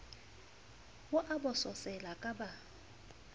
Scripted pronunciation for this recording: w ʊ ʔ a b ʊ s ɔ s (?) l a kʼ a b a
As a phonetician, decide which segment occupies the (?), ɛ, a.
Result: ɛ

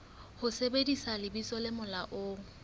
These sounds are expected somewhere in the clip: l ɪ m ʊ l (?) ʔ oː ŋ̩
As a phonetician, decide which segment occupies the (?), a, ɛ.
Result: a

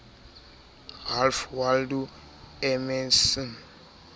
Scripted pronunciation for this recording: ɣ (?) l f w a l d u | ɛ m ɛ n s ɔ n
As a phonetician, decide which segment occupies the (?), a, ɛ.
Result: a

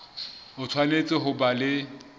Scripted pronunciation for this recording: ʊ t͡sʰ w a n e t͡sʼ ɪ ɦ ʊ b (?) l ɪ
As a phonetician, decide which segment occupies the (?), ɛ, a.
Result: a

